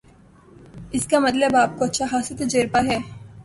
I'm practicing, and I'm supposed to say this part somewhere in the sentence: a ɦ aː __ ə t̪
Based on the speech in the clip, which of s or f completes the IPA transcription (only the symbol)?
s